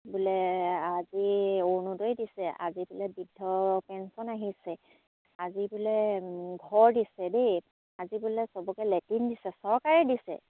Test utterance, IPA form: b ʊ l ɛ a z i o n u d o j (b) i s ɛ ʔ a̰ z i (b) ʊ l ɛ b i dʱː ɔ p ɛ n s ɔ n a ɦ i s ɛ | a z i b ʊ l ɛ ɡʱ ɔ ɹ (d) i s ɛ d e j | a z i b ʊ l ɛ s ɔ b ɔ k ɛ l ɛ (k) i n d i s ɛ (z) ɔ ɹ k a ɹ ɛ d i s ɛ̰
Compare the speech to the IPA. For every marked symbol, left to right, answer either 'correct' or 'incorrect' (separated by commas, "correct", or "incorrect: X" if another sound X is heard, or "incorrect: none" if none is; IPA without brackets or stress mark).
incorrect: d, correct, correct, incorrect: t, incorrect: s